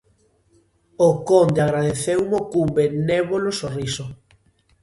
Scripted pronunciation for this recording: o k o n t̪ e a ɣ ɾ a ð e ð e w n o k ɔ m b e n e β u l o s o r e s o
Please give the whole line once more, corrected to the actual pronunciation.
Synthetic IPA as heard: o k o n d̪ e a ɣ ɾ a ð e θ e w m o k u m b e n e β o l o s o r i s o